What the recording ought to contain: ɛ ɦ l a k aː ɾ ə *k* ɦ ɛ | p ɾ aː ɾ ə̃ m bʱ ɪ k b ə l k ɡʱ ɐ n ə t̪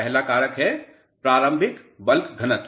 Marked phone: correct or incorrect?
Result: correct